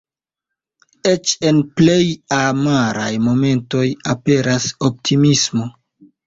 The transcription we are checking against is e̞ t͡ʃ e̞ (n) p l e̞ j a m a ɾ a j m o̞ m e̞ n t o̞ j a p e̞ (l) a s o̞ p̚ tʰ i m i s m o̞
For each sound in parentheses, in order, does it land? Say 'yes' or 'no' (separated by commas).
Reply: yes, no